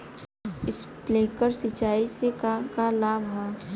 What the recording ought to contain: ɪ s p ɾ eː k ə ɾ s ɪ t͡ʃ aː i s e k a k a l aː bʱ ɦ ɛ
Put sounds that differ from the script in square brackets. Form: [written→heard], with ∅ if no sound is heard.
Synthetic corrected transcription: ɪ s p [ɾ→l] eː k ə ɾ s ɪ t͡ʃ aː i s e k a k a l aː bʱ ɦ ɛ

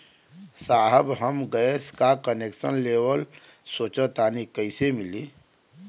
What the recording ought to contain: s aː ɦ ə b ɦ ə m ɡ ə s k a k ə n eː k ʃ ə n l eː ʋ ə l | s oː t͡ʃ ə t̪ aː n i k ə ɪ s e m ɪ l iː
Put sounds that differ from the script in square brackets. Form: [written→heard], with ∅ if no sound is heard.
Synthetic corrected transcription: s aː ɦ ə b ɦ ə m ɡ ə s k a k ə n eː k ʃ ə n l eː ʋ ə l | s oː t͡ʃ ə t̪ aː n i k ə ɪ s e m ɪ l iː

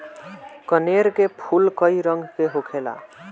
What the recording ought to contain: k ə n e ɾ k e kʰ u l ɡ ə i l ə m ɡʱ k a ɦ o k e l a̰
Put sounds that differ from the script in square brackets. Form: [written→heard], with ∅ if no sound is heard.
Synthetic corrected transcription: k ə n e ɾ k e [kʰ→pʰ] u l [ɡ→k] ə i [l→ɾ] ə [m→ŋ] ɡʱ k [a→e] ɦ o [k→kʰ] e l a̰

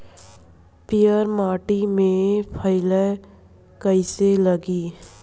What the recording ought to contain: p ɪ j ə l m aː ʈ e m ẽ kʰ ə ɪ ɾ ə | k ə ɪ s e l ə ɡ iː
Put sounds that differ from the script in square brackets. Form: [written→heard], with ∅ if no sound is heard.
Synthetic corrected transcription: p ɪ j ə [l→ɾ] m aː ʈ [e→i] m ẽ [kʰ→pʰ] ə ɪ [ɾ→l] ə | k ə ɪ s e l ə ɡ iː

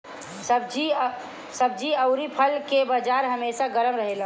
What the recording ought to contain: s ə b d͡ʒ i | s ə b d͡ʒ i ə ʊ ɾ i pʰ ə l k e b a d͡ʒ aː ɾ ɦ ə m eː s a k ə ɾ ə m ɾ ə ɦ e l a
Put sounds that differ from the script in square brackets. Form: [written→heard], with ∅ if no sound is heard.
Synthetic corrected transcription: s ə b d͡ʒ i | s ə b d͡ʒ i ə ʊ ɾ i pʰ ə l k e b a d͡ʒ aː ɾ ɦ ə m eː s a [k→ɡ] ə ɾ ə m ɾ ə ɦ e l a

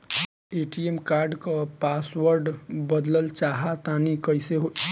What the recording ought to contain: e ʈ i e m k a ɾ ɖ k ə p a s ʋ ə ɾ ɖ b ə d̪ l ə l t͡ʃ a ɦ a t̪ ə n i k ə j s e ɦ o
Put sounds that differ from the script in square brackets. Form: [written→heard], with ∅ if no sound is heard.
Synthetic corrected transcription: e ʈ i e m k a ɾ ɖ k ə p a s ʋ ə ɾ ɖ b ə d̪ l ə l t͡ʃ a ɦ a t̪ [ə→a] n i k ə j s e ɦ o

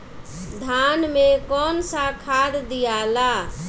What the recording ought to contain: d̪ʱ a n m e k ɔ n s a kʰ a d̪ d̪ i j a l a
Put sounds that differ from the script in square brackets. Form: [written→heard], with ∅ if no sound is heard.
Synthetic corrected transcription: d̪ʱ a n m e k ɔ n s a kʰ a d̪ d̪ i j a l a

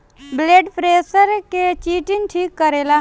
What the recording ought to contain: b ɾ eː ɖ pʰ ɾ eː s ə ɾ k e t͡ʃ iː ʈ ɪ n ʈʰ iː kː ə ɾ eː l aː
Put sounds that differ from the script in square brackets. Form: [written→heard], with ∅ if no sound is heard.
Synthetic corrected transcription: b [ɾ→l] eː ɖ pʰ ɾ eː s ə ɾ k e t͡ʃ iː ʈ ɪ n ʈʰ iː kː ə ɾ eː l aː

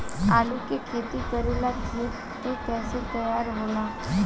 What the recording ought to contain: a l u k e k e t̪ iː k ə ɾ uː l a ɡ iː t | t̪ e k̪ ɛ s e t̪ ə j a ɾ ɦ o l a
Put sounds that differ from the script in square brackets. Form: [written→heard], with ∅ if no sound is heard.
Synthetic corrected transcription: a l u k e [k→kʰ] e t̪ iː k ə ɾ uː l a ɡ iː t | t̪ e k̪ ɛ s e t̪ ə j a ɾ ɦ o l a

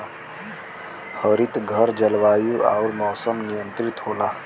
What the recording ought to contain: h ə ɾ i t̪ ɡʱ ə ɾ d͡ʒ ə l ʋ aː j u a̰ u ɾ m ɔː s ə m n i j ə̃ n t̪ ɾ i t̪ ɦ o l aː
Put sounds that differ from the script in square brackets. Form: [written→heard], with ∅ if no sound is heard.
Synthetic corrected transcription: h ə ɾ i t̪ ɡʱ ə ɾ d͡ʒ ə l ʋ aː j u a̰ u ɾ m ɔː s ə m n i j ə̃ n t̪ ɾ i t̪ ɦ o l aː

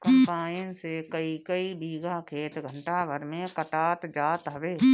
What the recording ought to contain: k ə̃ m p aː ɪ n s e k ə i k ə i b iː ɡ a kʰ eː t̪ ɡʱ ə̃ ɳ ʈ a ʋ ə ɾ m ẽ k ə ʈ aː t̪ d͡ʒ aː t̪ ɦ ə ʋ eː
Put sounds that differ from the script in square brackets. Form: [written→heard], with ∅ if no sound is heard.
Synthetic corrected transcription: k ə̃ m p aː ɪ n s e k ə i k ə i b iː ɡ a kʰ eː t̪ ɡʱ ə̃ ɳ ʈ a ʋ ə ɾ m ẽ k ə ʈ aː t̪ d͡ʒ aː t̪ ɦ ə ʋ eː

